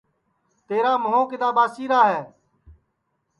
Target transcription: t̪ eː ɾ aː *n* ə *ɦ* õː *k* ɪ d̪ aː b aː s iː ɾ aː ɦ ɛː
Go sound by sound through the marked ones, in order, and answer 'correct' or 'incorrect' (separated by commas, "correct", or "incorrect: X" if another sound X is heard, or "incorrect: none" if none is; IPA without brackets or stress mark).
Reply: incorrect: m, correct, correct